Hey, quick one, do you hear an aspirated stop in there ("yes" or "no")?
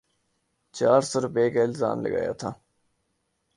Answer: yes